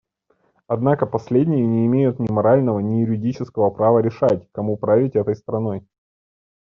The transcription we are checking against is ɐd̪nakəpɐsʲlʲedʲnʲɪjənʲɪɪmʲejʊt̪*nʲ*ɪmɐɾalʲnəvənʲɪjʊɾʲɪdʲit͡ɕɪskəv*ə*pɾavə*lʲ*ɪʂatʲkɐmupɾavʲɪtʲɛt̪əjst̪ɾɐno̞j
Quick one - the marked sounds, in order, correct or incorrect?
correct, correct, incorrect: ɾʲ

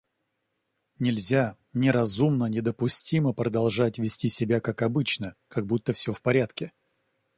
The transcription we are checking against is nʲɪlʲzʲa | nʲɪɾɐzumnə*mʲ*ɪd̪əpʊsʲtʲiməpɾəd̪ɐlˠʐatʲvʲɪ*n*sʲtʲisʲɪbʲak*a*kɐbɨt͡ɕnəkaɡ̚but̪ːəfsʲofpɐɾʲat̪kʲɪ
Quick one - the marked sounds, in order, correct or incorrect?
incorrect: nʲ, incorrect: none, correct

